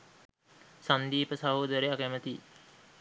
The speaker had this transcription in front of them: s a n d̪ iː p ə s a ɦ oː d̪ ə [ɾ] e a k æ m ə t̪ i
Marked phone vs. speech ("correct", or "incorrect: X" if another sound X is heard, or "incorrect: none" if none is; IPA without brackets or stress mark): correct